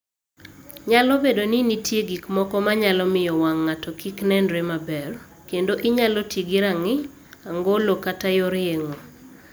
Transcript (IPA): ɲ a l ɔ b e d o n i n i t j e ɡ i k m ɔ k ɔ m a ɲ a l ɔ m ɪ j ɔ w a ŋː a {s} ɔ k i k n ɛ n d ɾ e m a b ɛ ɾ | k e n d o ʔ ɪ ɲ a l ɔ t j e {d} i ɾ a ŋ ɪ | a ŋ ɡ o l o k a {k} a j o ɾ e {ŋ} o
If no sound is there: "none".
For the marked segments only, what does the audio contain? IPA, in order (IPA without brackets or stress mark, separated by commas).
t, ɡ, t, ŋ